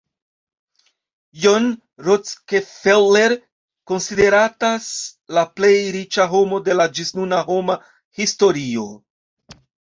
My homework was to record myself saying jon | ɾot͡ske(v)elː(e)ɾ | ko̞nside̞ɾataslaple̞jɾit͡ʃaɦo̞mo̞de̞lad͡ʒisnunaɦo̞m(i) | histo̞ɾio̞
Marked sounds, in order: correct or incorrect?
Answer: incorrect: f, correct, incorrect: a

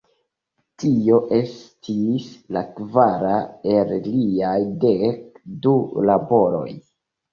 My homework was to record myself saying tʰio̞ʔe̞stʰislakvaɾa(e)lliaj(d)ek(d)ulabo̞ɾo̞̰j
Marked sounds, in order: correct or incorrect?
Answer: correct, correct, correct

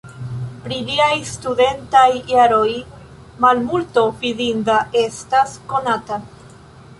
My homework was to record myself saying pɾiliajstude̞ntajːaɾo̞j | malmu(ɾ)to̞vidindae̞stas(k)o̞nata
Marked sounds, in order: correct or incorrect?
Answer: incorrect: l, correct

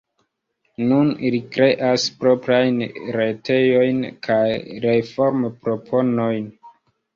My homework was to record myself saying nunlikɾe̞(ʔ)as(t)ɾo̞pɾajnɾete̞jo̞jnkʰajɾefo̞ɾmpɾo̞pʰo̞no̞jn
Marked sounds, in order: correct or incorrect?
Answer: correct, incorrect: p

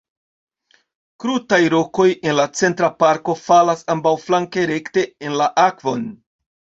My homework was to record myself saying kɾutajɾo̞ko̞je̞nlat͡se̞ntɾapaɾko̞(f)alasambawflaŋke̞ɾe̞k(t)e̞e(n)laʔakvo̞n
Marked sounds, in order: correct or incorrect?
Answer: correct, correct, correct

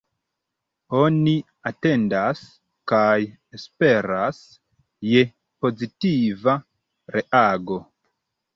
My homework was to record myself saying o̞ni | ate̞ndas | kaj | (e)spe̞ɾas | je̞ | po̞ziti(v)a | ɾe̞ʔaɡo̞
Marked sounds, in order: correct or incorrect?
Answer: correct, correct

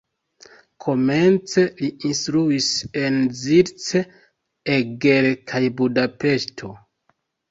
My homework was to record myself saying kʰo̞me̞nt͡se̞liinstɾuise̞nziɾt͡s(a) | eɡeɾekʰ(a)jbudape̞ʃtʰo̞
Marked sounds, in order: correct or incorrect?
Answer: incorrect: e, correct

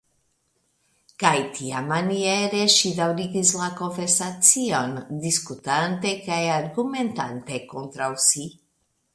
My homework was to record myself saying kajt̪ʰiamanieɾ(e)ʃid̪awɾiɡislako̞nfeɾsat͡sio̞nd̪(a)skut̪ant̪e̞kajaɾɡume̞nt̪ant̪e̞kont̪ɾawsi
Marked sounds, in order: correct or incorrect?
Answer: correct, incorrect: i

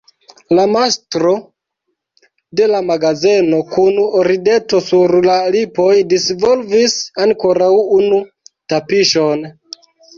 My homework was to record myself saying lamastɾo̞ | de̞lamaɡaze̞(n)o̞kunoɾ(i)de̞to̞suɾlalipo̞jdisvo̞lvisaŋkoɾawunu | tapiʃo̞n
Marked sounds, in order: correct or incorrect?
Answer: correct, correct

